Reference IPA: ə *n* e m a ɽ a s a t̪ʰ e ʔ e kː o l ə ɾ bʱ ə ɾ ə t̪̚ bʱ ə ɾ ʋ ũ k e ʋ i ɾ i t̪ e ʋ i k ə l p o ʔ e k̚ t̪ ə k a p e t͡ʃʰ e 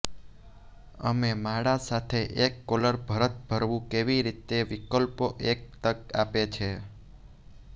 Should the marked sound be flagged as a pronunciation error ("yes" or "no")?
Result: yes